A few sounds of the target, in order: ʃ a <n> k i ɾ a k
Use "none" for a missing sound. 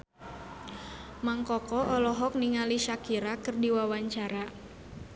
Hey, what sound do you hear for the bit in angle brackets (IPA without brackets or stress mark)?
none